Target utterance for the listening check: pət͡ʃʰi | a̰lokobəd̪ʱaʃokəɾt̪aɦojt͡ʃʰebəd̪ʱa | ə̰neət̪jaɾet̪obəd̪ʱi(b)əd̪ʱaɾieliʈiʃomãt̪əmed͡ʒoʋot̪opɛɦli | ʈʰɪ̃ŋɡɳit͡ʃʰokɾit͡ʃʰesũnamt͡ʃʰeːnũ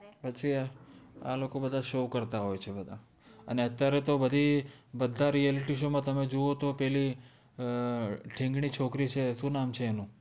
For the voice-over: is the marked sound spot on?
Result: yes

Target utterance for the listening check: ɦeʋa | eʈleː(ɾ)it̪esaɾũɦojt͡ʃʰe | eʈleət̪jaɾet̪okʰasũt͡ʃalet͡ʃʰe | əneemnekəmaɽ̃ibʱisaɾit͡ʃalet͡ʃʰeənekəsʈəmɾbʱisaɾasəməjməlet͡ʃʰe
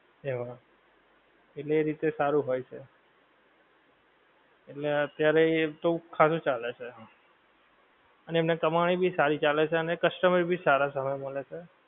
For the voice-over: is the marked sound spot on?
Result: yes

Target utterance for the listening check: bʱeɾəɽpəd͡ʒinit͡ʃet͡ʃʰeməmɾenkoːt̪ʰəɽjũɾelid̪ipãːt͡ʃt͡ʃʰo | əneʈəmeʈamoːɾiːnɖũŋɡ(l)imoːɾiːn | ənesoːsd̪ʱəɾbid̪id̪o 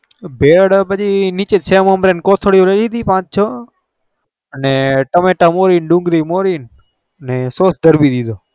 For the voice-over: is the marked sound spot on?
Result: no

